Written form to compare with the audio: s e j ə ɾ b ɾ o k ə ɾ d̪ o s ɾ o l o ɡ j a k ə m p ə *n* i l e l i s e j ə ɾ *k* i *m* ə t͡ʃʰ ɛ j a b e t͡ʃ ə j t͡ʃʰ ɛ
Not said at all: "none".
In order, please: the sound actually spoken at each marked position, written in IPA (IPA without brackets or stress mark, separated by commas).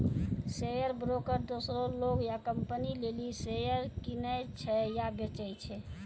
n, k, n